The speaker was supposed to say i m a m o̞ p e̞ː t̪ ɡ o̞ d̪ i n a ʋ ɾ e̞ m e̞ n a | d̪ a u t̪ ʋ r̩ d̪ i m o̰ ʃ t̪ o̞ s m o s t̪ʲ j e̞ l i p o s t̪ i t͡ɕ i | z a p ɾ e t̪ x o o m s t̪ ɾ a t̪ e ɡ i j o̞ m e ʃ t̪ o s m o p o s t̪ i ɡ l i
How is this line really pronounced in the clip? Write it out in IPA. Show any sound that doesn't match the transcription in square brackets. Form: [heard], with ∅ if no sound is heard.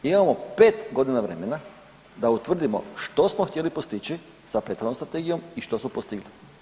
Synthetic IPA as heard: i m a m o̞ p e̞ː t̪ ɡ o̞ d̪ i n a ʋ ɾ e̞ m e̞ n a | d̪ a u t̪ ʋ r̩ d̪ i m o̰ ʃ t̪ o̞ s m o [x] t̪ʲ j e̞ l i p o s t̪ i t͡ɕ i | [s] a p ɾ e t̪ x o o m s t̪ ɾ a t̪ e ɡ i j o̞ m [i] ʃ t̪ o s m o p o s t̪ i ɡ l i

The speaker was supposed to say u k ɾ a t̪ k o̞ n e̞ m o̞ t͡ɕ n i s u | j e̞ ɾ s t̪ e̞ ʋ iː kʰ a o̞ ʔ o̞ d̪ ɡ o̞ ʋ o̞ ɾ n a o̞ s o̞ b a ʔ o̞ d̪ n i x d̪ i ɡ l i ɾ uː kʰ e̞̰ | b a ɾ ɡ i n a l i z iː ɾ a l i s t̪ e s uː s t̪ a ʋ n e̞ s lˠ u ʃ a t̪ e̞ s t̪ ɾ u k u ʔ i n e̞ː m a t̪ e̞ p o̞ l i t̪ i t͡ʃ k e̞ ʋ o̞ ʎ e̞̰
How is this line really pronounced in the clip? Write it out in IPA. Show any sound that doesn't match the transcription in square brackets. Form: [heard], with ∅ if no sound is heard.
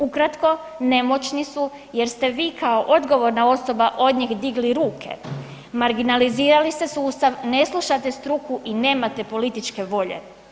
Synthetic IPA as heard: u k ɾ a t̪ k o̞ n e̞ m o̞ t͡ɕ n i s u | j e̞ ɾ s t̪ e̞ ʋ iː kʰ a o̞ ʔ o̞ d̪ ɡ o̞ ʋ o̞ ɾ n a o̞ s o̞ b a ʔ o̞ d̪ [ɲ] i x d̪ i ɡ l i ɾ uː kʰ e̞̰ | [m] a ɾ ɡ i n a l i z iː ɾ a l i s t̪ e s uː s t̪ a ʋ n e̞ s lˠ u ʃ a t̪ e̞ s t̪ ɾ u k u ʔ i n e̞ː m a t̪ e̞ p o̞ l i t̪ i t͡ʃ k e̞ ʋ o̞ ʎ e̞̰

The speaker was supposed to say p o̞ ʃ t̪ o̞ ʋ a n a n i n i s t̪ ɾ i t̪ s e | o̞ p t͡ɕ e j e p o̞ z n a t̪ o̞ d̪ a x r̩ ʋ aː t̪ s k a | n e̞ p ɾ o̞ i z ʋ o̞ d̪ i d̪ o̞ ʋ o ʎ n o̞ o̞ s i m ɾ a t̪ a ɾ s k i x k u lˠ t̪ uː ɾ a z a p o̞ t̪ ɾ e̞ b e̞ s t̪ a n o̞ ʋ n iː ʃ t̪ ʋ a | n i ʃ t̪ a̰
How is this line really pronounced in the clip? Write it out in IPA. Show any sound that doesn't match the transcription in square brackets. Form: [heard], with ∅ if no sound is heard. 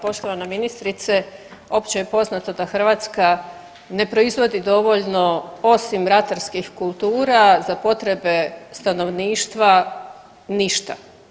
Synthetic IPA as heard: p o̞ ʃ t̪ o̞ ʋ a n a [m] i n i s t̪ ɾ i t̪ s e | o̞ p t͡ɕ e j e p o̞ z n a t̪ o̞ d̪ a x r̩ ʋ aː t̪ s k a | n e̞ p ɾ o̞ i z ʋ o̞ d̪ i d̪ o̞ ʋ o ʎ n o̞ o̞ s i m ɾ a t̪ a ɾ s k i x k u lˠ t̪ uː ɾ a z a p o̞ t̪ ɾ e̞ b e̞ s t̪ a n o̞ ʋ n iː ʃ t̪ ʋ a | n i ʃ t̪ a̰

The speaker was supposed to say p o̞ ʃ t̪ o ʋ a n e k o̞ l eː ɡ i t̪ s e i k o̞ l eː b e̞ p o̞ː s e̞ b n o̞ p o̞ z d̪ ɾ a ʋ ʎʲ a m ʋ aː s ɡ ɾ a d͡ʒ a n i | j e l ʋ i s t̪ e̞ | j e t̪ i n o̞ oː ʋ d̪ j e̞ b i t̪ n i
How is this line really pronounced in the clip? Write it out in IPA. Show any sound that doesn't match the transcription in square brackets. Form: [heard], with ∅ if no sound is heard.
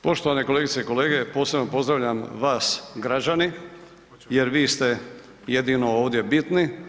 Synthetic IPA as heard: p o̞ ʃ t̪ o ʋ a n e k o̞ l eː ɡ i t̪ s e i k o̞ l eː [ɡ] e̞ p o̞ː s e̞ b n o̞ p o̞ z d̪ ɾ a ʋ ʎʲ a m ʋ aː s ɡ ɾ a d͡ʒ a n i | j e [ɾ] ʋ [iː] s t̪ e̞ | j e [d̪] i n o̞ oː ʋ d̪ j e̞ b i t̪ n i

